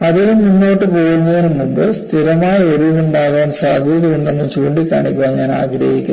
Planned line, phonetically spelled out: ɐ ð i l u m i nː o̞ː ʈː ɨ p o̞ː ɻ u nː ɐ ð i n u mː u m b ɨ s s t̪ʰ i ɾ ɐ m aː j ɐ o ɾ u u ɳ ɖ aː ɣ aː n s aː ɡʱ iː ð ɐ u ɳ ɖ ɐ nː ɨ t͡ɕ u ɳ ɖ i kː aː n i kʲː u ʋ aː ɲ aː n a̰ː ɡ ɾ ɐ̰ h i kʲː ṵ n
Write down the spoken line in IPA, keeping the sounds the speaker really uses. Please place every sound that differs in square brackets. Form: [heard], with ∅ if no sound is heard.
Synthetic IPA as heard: ɐ ð i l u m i nː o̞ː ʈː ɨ p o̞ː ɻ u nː ɐ ð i n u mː u m b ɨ s [t] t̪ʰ i ɾ ɐ m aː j ɐ o ɾ u u ɳ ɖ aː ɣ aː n s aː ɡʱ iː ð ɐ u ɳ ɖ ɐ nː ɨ t͡ɕ [uː] ɳ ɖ i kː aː [ɳ] i kʲː u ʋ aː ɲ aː n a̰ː ɡ ɾ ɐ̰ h i kʲː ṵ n